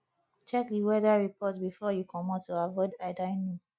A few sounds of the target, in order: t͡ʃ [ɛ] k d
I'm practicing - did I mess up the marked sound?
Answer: no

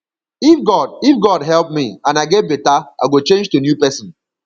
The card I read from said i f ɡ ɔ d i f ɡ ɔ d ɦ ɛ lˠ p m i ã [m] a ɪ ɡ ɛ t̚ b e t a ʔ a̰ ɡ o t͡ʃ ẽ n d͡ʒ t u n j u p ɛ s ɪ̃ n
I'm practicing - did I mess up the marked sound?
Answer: yes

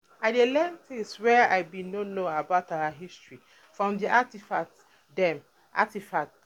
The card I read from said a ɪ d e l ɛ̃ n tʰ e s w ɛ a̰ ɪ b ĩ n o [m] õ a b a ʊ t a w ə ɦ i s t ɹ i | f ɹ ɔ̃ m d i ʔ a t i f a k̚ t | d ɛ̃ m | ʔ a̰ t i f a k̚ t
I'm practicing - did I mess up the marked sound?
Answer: yes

